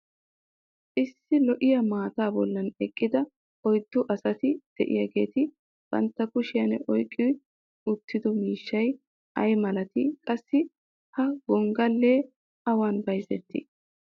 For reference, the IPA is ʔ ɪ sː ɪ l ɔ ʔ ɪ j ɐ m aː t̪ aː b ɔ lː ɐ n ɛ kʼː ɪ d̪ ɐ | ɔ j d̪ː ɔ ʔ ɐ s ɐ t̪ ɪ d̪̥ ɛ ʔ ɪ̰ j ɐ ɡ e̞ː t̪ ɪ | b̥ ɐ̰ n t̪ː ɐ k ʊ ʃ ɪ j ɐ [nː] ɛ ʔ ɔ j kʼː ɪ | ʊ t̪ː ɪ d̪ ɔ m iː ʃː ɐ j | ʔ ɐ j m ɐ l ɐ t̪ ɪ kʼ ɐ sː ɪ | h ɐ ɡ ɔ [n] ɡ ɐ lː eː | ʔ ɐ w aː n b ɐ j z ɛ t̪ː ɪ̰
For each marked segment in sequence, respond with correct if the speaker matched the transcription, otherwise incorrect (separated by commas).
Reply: incorrect, incorrect